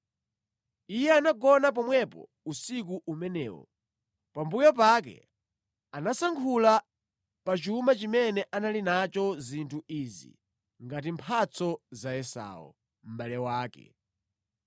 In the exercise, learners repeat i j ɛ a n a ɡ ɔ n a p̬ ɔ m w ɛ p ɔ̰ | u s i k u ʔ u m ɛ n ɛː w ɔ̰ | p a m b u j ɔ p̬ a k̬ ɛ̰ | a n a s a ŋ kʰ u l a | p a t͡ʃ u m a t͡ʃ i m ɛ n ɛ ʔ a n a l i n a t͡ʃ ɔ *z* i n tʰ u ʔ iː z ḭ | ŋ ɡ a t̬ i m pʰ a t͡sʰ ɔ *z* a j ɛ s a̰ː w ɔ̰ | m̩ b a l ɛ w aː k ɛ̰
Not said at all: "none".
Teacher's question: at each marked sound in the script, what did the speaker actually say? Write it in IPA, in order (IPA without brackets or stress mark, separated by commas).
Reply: z, z